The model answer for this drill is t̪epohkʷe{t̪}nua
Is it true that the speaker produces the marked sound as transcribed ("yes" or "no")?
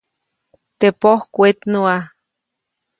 yes